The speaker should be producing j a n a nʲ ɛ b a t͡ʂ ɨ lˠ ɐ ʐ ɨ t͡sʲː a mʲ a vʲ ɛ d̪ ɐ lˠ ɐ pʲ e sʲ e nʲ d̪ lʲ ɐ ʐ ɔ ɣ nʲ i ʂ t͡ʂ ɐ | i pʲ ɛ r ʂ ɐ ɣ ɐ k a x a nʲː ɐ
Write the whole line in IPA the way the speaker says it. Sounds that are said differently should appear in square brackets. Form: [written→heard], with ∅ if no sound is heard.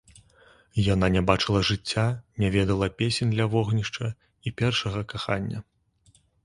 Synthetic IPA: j a n a nʲ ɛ b a t͡ʂ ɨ lˠ ɐ ʐ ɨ t͡sʲː a [mʲ→nʲ] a vʲ ɛ d̪ ɐ lˠ ɐ pʲ e sʲ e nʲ d̪ lʲ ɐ [ʐ→v] ɔ ɣ nʲ i ʂ t͡ʂ ɐ | i pʲ ɛ r ʂ ɐ ɣ ɐ k a x a nʲː ɐ